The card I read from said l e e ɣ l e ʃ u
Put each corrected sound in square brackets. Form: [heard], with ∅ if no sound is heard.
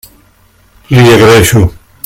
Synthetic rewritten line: l [i] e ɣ [ɾ] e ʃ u